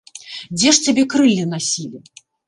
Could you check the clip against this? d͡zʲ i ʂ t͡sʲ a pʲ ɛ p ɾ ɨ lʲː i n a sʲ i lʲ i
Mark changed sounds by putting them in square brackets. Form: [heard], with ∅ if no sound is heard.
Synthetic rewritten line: d͡zʲ [ɛ] ʂ t͡sʲ a [bʲ] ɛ [k] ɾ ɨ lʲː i n a sʲ i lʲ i